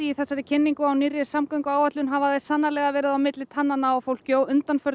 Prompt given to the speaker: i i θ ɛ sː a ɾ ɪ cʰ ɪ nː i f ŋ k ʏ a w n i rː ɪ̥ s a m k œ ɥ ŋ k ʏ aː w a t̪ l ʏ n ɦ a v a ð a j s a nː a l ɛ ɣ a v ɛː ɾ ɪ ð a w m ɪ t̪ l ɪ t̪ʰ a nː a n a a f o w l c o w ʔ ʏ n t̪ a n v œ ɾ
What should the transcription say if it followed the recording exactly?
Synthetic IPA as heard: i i θ ɛ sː a ɾ ɪ cʰ ɪ nː i ŋ k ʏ a w n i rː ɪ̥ s a m k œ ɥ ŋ k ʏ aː w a t̪ l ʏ n ɦ a v a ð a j s a nː a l ɛ ɣ a v ɛː ɾ ɪ ð a w m ɪ t̪ l ɪ t̪ʰ a nː a n a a f o w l c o w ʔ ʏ n t̪ a n f œ ɾ